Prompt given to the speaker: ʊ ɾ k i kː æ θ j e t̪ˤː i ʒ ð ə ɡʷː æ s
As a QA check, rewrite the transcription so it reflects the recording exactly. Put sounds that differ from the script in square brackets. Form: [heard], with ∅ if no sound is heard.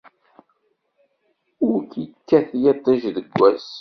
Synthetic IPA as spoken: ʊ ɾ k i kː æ θ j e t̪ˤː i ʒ ð ə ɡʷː æ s